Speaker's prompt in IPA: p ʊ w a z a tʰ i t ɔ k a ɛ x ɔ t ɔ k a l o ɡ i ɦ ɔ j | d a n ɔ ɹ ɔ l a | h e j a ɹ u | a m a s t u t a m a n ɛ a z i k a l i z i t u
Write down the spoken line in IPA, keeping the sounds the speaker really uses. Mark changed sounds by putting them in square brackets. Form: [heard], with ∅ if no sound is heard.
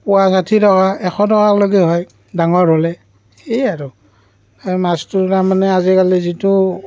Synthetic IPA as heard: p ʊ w a z a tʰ i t ɔ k a ɛ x ɔ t ɔ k a l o ɡ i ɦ ɔ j | d a [ŋ] ɔ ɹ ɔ l [ɛ] | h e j a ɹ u | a m a s t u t a m a n ɛ a z i k a l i z i t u